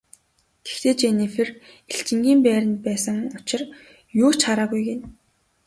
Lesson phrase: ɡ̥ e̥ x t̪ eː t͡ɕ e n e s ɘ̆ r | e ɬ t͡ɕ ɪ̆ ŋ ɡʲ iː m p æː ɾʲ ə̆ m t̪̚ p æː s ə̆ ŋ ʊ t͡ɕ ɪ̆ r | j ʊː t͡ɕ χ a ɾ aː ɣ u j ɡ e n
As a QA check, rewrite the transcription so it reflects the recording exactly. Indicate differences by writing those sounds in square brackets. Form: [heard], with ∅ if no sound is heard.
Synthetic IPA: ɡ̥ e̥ x t̪ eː t͡ɕ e n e [f] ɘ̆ r | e ɬ t͡ɕ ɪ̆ ŋ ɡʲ iː m p æː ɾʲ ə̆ [n] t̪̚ p æː s ə̆ ŋ ʊ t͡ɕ ɪ̆ r | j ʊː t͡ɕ χ a ɾ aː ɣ u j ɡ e n

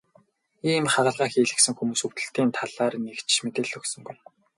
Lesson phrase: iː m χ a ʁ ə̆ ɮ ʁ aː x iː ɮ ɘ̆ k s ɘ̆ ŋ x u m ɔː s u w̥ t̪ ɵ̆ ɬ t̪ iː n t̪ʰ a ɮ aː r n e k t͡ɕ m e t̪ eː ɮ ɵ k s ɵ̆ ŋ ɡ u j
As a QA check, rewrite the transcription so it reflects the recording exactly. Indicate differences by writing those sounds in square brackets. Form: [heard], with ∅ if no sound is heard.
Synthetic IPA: iː m χ a ʁ ə̆ ɮ ʁ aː x iː ɮ ɘ̆ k s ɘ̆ ŋ x u m [uː] s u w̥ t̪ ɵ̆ ɬ t̪ iː n t̪ʰ a ɮ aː r n e k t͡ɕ m e t̪ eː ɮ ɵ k s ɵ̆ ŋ ɡ u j

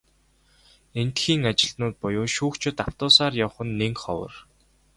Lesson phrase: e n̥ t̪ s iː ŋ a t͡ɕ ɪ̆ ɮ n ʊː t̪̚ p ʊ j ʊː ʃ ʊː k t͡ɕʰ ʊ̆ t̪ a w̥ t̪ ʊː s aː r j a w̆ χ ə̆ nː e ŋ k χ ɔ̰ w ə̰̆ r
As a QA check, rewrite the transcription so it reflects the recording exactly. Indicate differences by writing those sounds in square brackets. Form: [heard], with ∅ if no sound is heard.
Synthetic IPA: e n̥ t̪ [x] iː ŋ a t͡ɕ ɪ̆ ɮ n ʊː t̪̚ p ʊ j ʊː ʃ [uː] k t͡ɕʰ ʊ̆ t̪ a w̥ t̪ ʊː s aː r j a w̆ χ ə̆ nː e ŋ k χ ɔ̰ w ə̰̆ r

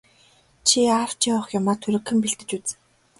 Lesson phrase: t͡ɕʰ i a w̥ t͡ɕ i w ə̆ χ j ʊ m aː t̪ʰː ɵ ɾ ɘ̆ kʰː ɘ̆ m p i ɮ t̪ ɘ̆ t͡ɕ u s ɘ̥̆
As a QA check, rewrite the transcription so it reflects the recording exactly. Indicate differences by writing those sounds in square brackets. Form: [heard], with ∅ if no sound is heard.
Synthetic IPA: t͡ɕʰ i a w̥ t͡ɕ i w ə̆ χ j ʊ m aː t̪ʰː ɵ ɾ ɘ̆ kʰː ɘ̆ m p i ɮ t̪ ɘ̆ t͡ɕ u [t͡s] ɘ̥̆

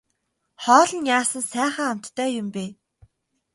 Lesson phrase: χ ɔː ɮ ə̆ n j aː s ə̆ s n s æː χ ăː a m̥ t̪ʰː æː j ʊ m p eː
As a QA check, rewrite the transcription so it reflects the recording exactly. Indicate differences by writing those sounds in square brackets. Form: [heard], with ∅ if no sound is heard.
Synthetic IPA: χ ɔː ɮ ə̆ n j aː s ə̆ [∅] n s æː χ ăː a m̥ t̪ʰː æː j ʊ m p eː

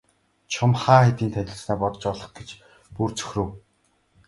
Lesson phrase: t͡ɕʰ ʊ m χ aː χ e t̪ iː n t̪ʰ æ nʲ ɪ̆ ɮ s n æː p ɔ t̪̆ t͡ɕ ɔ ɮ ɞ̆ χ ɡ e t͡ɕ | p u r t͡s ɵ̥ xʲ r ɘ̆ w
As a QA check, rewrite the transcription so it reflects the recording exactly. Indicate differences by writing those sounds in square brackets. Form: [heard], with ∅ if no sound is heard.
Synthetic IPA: t͡ɕʰ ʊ m χ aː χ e t̪ iː n t̪ʰ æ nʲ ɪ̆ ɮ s n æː p ɔ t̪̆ t͡ɕ ɔ ɮ ɞ̆ χ ɡ e t͡ɕ | p u r t͡s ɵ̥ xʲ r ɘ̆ w

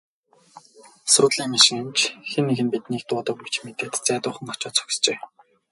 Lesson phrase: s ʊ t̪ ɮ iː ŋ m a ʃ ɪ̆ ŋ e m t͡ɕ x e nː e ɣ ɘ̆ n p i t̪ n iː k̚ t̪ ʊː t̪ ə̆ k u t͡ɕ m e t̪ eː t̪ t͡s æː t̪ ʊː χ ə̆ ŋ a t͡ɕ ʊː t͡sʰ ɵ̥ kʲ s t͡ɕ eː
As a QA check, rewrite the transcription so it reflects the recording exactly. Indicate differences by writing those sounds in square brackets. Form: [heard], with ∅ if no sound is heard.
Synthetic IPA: s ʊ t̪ ɮ iː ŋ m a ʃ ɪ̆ ŋ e m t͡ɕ x e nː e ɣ ɘ̆ n p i t̪ n iː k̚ t̪ ʊː t̪ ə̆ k u t͡ɕ m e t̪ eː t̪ t͡s æː t̪ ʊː χ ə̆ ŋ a t͡ɕ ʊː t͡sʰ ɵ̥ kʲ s t͡ɕ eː

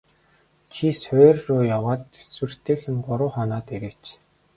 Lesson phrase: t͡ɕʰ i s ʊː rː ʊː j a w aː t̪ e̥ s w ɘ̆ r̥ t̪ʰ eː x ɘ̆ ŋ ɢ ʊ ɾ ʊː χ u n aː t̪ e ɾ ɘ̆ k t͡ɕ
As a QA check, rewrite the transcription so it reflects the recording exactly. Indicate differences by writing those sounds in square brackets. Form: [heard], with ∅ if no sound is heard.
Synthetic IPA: t͡ɕʰ i s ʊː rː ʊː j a w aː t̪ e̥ s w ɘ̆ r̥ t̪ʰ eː x ɘ̆ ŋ ɢ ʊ ɾ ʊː χ [ɔ] n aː t̪ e ɾ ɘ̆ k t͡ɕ

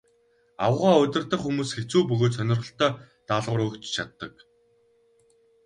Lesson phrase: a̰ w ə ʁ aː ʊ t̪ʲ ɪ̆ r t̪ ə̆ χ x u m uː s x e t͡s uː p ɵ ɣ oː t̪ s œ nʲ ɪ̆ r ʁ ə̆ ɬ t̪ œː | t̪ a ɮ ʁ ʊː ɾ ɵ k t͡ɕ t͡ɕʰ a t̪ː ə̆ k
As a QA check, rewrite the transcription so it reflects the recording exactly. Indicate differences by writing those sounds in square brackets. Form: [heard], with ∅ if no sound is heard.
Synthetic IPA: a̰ w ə ʁ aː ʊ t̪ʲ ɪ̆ r t̪ ə̆ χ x u m uː s x e t͡s uː p ɵ ɣ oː t̪ s œ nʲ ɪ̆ r ʁ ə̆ ɬ t̪ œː | t̪ a ɮ ʁ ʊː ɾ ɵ k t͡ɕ t͡ɕʰ a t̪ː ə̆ k

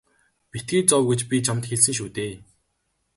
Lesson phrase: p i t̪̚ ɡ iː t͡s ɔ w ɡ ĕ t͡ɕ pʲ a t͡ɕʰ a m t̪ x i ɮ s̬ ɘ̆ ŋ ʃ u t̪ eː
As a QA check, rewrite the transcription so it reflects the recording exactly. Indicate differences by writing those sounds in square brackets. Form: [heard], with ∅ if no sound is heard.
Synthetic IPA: p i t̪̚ ɡ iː t͡s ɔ w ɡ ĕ t͡ɕ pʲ [i] t͡ɕʰ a m t̪ x [e] ɮ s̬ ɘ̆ ŋ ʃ u t̪ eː

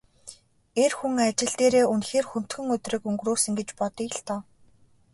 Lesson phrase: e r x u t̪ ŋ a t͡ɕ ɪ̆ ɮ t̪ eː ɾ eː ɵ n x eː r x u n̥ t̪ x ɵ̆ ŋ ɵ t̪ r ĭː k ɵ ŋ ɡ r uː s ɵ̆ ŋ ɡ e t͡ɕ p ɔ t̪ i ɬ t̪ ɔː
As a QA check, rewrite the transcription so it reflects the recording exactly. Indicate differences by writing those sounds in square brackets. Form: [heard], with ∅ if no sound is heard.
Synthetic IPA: e r x u [∅] ŋ a t͡ɕ ɪ̆ ɮ t̪ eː ɾ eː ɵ n x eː r x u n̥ t̪ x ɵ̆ ŋ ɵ t̪ r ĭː k ɵ ŋ ɡ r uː s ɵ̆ ŋ ɡ e t͡ɕ p ɔ t̪ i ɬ t̪ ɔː

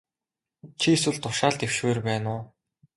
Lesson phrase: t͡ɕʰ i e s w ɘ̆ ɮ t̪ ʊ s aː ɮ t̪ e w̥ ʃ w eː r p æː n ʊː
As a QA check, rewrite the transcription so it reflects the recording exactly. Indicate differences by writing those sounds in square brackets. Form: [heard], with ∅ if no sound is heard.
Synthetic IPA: t͡ɕʰ i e s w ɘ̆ ɮ t̪ ʊ [ʃ] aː ɮ t̪ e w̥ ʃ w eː r p æː n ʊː

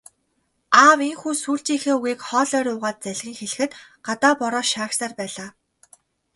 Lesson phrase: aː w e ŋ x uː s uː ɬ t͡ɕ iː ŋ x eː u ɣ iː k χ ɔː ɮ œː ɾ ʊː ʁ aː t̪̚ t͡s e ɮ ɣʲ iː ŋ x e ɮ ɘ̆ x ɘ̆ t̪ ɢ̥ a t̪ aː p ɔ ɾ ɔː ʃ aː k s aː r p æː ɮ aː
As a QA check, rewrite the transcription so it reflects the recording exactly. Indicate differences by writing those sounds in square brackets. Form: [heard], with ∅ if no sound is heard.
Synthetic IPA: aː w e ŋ x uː s uː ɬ t͡ɕ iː ŋ x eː u ɣ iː k χ ɔː ɮ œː ɾ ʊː ʁ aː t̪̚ t͡s [æ] ɮ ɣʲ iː ŋ x e ɮ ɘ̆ x ɘ̆ t̪ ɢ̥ a t̪ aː p ɔ ɾ ɔː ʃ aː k s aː r p æː ɮ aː

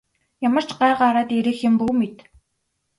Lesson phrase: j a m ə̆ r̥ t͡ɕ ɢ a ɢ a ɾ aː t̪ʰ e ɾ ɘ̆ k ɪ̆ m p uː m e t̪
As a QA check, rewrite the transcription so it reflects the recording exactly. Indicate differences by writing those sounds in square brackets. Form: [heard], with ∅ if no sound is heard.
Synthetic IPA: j a m ə̆ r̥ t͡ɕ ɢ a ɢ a ɾ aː [t̪] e ɾ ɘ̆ [x] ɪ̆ m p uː m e t̪

